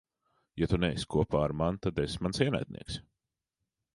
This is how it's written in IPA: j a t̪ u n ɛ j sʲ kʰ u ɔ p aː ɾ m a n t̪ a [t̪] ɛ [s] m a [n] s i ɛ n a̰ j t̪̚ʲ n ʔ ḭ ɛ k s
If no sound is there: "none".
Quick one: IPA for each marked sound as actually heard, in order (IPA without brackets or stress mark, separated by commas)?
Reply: d̪, s, n